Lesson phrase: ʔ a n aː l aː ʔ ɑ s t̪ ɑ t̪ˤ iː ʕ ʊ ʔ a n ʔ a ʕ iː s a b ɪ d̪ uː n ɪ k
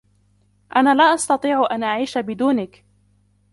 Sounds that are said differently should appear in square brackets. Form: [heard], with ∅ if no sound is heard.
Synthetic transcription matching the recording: ʔ a n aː l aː ʔ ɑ s t̪ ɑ t̪ˤ iː ʕ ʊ ʔ a n ʔ a ʕ iː [ʃ] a b ɪ d̪ uː n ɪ k